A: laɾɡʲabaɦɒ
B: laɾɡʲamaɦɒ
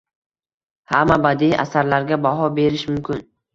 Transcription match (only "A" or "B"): A